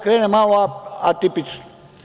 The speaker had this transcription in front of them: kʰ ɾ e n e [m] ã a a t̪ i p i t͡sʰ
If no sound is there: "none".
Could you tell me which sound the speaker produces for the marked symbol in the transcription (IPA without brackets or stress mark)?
m